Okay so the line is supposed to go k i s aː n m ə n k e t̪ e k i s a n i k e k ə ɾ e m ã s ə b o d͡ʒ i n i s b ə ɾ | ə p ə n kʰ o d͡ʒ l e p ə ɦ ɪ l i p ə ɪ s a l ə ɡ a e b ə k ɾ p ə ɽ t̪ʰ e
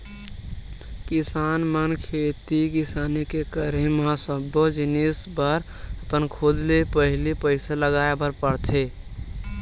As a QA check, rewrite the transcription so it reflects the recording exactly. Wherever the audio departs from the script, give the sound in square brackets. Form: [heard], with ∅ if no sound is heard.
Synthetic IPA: k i s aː n m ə n [kʰ] e t̪ [i] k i s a n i k e k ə ɾ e m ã s ə b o d͡ʒ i n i s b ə ɾ | ə p ə n kʰ o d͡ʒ l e p ə ɦ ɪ l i p ə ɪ s a l ə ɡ a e b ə [∅] ɾ p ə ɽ t̪ʰ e

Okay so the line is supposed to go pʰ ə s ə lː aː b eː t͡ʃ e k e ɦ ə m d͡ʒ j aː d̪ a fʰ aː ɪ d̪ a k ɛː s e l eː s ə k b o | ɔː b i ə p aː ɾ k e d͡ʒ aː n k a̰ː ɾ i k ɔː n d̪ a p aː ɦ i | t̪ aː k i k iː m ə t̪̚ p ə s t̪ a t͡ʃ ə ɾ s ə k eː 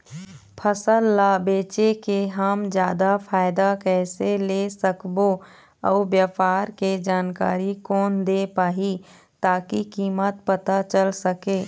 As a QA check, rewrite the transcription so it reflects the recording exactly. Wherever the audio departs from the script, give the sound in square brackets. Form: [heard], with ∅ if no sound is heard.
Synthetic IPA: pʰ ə s ə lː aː b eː t͡ʃ e k e ɦ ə m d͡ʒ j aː d̪ a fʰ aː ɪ d̪ a k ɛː s e l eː s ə k b o | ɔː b [j] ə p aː ɾ k e d͡ʒ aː n k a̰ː ɾ i k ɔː n d̪ [e] p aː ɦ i | t̪ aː k i k iː m ə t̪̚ p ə [∅] t̪ a t͡ʃ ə [l] s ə k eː

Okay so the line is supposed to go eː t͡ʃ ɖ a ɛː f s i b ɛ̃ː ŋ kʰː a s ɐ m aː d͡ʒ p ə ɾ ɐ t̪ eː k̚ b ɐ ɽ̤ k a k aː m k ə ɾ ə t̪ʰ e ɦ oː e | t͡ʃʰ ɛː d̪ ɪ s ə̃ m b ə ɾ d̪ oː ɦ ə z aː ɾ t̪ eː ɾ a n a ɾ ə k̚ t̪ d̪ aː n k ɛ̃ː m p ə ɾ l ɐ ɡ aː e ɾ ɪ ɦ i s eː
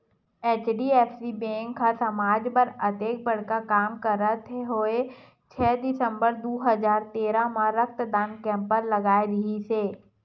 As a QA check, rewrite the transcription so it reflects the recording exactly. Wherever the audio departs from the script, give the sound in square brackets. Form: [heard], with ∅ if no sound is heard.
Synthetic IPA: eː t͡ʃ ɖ [i] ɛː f s i b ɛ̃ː ŋ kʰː a s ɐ m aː d͡ʒ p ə ɾ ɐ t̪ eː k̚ b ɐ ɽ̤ k a k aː m k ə ɾ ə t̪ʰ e ɦ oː e | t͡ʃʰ ɛː d̪ ɪ s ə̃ m b ə ɾ d̪ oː ɦ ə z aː ɾ t̪ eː ɾ a [m] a ɾ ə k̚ t̪ d̪ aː n k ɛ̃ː m p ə ɾ l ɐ ɡ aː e ɾ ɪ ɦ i s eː

